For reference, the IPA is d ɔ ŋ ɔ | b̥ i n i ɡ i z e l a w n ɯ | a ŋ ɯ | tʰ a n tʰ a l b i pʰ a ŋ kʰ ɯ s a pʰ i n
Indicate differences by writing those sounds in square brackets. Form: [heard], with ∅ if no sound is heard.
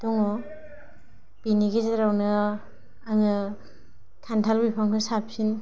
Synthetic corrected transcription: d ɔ ŋ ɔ | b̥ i n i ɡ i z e [ɾ] a w n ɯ | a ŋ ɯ | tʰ a n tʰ a l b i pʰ a ŋ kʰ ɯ s a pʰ i n